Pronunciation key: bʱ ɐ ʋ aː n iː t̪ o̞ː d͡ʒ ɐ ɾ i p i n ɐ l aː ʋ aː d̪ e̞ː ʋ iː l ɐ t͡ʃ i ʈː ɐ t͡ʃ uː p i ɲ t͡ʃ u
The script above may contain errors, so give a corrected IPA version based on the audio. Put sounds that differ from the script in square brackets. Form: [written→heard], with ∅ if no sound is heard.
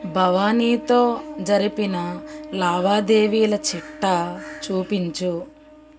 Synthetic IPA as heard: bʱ ɐ ʋ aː n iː t̪ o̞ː d͡ʒ ɐ ɾ i p i n ɐ l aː ʋ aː d̪ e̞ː ʋ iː l ɐ t͡ʃ i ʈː ɐ t͡ʃ uː p i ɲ t͡ʃ u